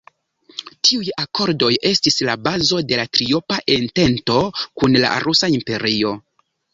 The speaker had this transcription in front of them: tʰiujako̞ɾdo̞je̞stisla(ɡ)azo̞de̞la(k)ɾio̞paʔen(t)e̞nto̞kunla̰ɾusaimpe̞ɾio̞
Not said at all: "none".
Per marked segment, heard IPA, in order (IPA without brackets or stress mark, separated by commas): b, t, t